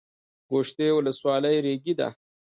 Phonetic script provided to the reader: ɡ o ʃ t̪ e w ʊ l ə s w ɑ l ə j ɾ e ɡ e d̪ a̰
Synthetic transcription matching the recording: ɡ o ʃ t̪ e w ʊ l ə s w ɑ l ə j ɾ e ɡ i d̪ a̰